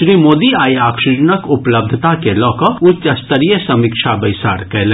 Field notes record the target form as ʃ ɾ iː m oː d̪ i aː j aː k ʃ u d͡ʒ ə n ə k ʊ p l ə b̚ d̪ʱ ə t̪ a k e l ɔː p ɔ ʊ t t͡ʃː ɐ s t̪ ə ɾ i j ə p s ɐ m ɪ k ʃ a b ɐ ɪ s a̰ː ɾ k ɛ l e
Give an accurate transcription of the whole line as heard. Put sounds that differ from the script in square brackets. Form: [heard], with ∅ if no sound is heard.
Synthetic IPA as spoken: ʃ ɾ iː m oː d̪ i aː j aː k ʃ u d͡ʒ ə n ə k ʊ p l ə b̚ d̪ʱ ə t̪ a k e l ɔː [k] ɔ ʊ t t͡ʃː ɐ s t̪ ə ɾ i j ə [∅] s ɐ m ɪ k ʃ a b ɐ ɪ s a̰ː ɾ k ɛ l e